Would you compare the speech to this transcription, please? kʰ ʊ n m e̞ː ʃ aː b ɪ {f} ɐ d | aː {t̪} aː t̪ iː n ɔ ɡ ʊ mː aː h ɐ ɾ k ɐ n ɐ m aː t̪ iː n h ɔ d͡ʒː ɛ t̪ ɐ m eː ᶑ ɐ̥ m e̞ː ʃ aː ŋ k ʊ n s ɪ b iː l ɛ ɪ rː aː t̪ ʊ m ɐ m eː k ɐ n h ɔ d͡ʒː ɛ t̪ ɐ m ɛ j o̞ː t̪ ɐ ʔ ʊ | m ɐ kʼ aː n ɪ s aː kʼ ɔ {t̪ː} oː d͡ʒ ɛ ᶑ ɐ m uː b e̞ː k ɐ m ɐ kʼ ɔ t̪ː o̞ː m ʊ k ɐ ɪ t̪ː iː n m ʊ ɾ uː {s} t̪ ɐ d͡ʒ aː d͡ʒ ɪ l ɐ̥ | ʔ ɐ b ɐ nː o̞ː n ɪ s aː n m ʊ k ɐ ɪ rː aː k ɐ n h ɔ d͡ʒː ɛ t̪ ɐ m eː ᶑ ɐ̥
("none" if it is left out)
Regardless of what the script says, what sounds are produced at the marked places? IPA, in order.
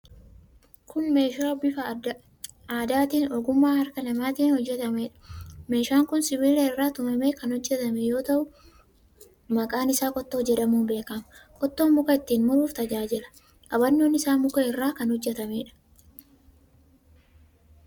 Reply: f, d̪, t̪ː, f

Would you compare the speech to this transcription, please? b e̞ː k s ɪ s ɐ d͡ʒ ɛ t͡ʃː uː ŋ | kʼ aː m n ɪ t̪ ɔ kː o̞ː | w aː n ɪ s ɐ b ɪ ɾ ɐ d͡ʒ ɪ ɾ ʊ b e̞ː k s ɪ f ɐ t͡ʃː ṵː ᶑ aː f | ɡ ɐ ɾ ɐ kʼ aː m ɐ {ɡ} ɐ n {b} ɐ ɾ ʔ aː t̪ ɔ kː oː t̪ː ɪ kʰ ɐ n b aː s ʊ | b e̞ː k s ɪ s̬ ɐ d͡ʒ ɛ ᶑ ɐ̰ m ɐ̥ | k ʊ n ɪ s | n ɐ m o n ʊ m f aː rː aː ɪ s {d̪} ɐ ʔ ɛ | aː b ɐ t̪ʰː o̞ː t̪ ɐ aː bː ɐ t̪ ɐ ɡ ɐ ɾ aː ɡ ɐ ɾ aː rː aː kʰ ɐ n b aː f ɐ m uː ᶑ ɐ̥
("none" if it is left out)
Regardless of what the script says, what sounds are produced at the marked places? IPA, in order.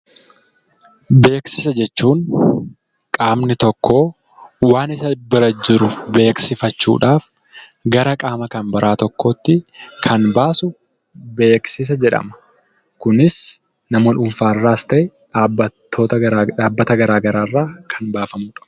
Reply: k, b, t̪

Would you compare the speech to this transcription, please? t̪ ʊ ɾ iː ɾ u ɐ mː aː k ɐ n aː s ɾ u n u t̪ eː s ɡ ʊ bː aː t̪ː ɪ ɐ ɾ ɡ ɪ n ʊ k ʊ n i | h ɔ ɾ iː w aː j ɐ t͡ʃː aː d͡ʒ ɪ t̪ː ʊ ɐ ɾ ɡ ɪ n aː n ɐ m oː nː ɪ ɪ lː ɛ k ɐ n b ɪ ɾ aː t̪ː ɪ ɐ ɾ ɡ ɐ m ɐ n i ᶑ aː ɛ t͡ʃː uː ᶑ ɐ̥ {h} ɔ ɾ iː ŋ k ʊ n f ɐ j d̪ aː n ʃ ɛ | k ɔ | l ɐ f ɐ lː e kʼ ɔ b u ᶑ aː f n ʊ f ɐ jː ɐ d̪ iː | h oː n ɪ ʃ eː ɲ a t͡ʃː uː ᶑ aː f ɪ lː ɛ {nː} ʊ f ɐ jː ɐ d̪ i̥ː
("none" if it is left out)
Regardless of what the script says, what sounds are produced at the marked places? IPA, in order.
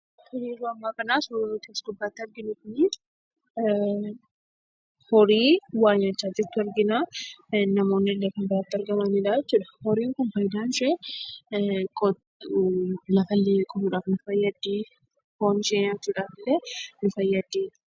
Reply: h, n

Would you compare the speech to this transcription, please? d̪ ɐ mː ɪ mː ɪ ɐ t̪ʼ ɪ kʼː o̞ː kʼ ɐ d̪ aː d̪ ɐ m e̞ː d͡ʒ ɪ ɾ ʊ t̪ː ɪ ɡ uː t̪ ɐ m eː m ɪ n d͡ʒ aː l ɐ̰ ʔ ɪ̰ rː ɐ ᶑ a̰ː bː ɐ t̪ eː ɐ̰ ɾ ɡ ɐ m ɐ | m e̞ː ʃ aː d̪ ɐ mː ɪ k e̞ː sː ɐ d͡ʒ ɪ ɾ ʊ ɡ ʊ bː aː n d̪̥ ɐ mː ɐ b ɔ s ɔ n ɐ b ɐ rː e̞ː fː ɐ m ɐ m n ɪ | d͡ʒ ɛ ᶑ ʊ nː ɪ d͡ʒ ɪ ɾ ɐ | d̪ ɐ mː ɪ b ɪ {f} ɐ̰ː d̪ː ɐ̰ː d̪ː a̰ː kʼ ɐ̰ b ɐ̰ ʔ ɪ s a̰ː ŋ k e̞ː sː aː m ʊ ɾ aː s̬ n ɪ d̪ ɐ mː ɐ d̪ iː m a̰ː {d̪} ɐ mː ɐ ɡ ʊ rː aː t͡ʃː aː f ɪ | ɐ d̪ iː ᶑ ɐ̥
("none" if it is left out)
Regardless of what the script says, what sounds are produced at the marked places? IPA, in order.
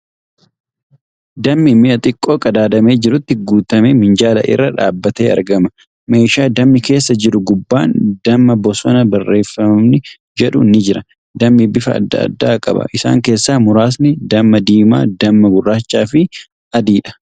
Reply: f, d̪

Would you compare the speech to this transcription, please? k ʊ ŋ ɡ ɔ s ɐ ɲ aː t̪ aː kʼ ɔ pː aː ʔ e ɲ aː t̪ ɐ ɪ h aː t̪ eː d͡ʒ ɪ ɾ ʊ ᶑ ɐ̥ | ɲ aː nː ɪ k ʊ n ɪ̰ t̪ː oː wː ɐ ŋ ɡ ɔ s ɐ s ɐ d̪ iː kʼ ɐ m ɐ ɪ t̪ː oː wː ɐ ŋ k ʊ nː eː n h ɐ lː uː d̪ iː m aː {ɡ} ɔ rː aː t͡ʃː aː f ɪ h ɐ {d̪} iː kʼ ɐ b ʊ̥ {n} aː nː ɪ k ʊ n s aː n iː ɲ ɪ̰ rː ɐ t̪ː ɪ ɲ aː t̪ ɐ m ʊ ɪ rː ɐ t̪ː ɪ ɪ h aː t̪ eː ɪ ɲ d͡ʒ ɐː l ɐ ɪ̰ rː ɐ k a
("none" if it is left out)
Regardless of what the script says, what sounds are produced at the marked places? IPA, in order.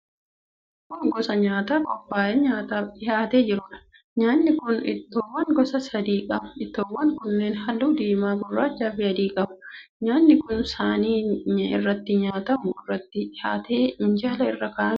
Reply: ɡ, d̪, ɲ

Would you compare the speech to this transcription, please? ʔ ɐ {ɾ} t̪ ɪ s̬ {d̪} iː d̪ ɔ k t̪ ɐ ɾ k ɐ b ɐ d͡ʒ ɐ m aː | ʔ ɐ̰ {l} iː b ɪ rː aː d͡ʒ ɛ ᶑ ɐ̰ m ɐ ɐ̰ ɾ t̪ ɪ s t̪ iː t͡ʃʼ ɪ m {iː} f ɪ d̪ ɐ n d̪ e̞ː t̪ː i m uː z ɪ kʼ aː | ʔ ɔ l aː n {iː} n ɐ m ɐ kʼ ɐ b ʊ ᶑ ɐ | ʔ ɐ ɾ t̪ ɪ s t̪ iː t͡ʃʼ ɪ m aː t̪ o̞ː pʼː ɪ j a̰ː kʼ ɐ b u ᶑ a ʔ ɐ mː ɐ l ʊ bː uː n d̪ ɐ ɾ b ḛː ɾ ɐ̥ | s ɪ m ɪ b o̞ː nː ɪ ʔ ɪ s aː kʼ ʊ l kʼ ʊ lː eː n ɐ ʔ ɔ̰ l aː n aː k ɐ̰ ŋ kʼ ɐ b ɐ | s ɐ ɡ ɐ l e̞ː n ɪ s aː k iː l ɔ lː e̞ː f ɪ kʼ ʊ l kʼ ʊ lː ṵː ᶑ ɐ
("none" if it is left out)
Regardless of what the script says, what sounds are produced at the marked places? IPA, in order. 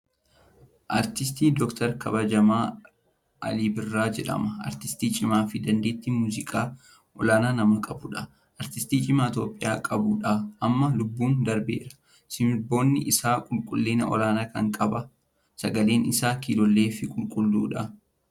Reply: ɾ, t̪, l, aː, aː

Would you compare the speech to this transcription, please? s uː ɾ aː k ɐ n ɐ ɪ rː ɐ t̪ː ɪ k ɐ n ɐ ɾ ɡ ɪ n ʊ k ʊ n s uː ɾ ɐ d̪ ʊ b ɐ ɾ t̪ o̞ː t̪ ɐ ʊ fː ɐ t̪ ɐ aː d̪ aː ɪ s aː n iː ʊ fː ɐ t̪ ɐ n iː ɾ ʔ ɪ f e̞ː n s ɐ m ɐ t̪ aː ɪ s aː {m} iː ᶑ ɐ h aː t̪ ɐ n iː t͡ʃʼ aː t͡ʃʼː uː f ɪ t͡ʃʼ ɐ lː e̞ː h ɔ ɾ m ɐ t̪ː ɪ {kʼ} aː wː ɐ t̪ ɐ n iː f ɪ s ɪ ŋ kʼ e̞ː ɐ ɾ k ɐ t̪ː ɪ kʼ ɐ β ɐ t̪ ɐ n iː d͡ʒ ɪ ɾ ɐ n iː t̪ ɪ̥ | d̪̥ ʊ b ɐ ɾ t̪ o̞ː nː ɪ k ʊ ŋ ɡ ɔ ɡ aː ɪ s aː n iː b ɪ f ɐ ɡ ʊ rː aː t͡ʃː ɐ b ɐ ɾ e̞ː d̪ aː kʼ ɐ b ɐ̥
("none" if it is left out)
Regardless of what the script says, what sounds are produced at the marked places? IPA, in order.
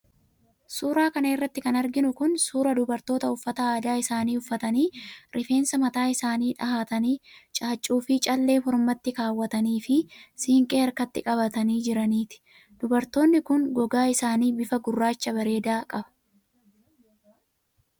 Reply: n, k

